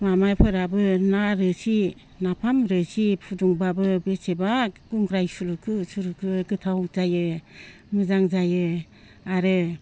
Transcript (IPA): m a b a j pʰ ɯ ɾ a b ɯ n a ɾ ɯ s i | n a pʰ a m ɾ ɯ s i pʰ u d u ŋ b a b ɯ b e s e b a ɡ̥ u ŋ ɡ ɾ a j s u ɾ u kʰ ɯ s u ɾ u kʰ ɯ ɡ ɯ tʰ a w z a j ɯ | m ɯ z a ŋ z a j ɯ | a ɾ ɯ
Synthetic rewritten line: m a m a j pʰ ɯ ɾ a b ɯ n a ɾ ɯ s i | n a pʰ a m ɾ ɯ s i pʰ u d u ŋ b a b ɯ b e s e b a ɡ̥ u ŋ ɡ ɾ a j s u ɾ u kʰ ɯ s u ɾ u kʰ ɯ ɡ ɯ tʰ a w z a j ɯ | m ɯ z a ŋ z a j ɯ | a ɾ ɯ

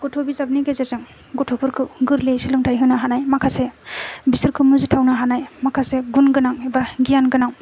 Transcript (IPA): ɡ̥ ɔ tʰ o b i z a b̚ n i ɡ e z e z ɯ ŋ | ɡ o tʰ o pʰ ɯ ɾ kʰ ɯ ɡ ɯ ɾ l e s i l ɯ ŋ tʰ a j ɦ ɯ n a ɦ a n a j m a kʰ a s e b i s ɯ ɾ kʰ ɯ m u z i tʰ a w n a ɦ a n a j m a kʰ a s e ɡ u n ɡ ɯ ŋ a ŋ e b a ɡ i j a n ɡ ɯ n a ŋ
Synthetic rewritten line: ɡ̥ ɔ tʰ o b i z a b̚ n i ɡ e z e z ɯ ŋ | ɡ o tʰ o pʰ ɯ ɾ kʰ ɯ ɡ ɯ ɾ l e s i l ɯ ŋ tʰ a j ɦ ɯ n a ɦ a n a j m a kʰ a s e b i s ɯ ɾ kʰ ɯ m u z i tʰ a w n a ɦ a n a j m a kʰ a s e ɡ u n ɡ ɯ n a ŋ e b a ɡ i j a n ɡ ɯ n a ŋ

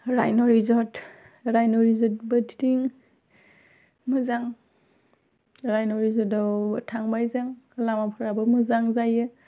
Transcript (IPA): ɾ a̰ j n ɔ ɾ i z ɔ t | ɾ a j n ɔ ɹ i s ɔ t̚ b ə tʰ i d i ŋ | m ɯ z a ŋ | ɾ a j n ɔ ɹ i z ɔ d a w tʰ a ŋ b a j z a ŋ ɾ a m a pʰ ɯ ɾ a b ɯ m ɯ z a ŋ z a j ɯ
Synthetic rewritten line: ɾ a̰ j n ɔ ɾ i z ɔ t | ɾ a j n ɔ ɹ i z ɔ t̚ b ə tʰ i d i ŋ | m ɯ z a ŋ | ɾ a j n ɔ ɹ i z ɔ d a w tʰ a ŋ b a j z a ŋ l a m a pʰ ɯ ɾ a b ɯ m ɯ z a ŋ z a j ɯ

